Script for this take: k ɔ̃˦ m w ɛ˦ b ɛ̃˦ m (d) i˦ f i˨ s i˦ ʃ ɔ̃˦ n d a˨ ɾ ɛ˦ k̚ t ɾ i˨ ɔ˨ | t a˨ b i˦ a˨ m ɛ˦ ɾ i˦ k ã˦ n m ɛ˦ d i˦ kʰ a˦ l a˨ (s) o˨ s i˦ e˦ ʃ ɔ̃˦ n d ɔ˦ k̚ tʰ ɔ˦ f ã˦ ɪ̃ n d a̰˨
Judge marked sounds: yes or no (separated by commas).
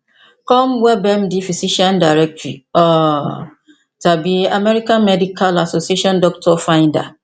yes, yes